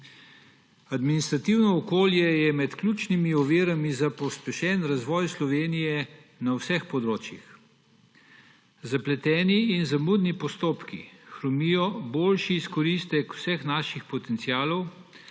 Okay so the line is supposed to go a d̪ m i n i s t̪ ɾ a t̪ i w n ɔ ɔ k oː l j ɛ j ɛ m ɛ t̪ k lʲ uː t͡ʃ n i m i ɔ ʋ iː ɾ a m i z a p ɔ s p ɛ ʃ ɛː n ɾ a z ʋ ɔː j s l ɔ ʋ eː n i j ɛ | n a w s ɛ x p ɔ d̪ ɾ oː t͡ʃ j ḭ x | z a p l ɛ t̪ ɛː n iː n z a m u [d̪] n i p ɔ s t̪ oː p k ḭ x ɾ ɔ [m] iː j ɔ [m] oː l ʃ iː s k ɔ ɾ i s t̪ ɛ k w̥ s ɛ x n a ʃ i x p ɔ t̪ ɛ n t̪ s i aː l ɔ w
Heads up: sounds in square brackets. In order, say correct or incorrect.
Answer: correct, correct, incorrect: b

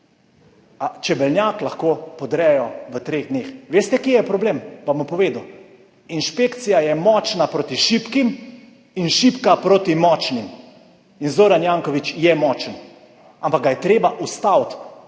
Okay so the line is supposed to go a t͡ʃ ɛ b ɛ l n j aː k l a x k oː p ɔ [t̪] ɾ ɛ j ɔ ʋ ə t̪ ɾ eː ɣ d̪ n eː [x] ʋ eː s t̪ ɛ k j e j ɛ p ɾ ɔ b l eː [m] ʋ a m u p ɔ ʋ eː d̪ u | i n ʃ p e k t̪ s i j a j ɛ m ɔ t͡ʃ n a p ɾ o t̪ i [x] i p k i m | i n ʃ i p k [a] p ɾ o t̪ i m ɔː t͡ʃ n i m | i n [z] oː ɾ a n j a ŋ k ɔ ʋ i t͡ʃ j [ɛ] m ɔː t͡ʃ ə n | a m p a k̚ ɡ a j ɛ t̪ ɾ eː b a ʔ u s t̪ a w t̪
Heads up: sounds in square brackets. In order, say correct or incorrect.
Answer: incorrect: d̪, correct, correct, incorrect: ʃ, correct, correct, correct

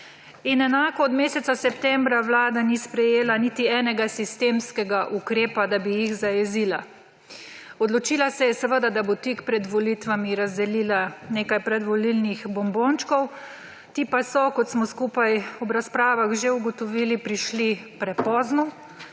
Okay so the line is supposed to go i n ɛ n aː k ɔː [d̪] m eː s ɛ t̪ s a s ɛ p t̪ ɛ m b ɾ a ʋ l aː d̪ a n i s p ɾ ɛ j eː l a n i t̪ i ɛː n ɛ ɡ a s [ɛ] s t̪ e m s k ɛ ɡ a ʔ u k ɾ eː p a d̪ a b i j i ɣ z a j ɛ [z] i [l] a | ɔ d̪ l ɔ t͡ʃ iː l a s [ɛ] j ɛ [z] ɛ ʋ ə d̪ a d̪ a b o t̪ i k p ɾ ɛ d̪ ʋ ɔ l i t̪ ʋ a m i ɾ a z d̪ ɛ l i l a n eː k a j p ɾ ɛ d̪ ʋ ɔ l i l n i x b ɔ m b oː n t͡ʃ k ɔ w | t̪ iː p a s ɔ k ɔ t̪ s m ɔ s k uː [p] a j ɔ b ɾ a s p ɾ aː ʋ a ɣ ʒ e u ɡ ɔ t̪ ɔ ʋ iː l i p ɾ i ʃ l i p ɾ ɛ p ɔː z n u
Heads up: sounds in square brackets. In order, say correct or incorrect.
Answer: correct, incorrect: i, correct, correct, correct, incorrect: s, correct

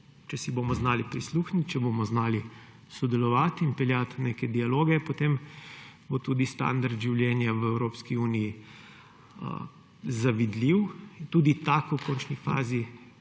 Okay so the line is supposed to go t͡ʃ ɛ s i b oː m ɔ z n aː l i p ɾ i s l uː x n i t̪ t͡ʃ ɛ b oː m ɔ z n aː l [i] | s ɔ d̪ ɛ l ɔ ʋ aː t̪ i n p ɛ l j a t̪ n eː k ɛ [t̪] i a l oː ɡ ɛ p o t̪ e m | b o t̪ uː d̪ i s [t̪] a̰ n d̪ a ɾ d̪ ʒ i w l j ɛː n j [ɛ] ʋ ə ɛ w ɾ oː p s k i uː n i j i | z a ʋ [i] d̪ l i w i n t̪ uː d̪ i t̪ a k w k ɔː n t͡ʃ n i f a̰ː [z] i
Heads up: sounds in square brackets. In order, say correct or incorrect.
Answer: correct, incorrect: d̪, correct, incorrect: a, correct, correct

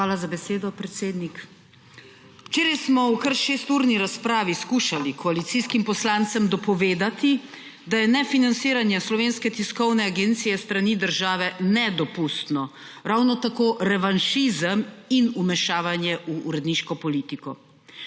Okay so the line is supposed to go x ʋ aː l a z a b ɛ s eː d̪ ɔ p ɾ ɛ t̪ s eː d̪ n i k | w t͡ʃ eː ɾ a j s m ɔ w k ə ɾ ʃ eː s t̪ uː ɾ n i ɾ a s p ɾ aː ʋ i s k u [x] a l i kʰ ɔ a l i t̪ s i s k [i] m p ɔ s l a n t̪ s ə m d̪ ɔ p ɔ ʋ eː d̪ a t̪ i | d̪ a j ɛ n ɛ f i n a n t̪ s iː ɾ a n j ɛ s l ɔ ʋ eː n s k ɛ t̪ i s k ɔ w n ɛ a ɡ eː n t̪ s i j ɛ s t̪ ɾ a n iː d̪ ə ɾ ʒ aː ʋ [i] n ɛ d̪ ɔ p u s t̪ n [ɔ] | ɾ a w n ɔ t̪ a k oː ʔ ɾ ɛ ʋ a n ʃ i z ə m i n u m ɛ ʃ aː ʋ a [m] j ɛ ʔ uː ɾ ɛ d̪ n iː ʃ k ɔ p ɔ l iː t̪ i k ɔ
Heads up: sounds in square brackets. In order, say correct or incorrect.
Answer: incorrect: ʃ, correct, incorrect: ɛ, correct, incorrect: n

